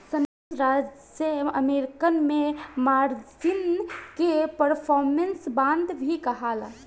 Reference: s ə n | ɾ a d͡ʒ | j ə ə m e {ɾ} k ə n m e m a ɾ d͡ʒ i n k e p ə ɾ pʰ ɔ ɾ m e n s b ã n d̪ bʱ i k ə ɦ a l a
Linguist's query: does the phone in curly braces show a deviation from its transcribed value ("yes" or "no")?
no